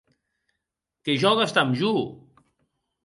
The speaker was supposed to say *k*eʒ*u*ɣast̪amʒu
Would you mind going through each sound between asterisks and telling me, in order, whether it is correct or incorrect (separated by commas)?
correct, incorrect